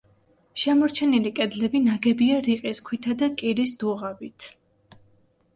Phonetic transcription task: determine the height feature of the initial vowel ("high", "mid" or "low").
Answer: mid